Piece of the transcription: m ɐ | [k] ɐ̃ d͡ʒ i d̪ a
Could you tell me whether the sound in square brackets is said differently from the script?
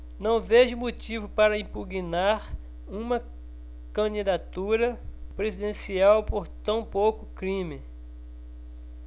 no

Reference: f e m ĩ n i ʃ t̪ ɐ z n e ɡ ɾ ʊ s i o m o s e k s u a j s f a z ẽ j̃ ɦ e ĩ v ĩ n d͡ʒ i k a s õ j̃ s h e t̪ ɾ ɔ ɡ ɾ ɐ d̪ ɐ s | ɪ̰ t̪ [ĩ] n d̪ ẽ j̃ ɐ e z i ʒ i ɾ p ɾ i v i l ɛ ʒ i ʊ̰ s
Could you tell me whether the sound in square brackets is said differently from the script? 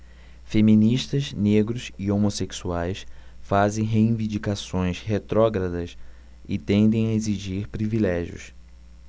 yes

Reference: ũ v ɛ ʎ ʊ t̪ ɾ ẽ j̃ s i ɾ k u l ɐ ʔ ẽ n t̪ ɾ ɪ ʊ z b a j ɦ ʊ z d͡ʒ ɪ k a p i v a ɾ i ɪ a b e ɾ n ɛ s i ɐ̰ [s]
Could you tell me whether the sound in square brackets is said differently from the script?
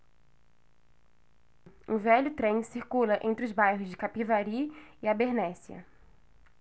yes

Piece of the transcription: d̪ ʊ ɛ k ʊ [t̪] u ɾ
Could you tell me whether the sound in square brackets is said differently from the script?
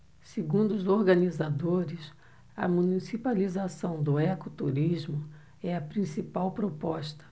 no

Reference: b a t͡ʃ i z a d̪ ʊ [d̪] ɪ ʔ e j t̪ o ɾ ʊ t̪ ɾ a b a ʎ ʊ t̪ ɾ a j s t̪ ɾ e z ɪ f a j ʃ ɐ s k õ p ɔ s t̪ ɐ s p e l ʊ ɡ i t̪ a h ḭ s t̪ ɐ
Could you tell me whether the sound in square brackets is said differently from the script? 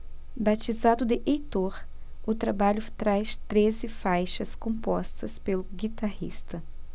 no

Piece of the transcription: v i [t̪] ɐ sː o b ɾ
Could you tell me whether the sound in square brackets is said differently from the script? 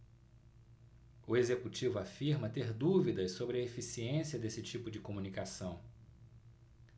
yes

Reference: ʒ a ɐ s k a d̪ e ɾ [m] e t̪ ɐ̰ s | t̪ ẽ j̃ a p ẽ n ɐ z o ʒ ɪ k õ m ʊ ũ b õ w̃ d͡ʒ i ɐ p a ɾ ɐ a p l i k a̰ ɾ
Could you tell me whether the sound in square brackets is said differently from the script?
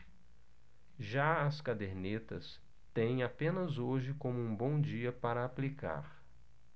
yes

